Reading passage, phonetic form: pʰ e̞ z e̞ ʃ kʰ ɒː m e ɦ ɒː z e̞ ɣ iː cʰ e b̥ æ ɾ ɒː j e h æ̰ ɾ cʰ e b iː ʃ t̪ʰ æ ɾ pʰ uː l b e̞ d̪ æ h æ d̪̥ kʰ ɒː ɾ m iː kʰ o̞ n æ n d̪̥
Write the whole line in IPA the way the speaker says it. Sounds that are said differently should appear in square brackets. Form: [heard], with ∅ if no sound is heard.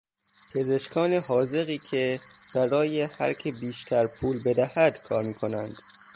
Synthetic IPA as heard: pʰ e̞ z e̞ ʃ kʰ ɒː [n] e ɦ ɒː z e̞ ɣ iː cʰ e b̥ æ ɾ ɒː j e h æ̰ ɾ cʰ e b iː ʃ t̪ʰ æ ɾ pʰ uː l b e̞ d̪ æ h æ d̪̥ kʰ ɒː ɾ m iː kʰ o̞ n æ n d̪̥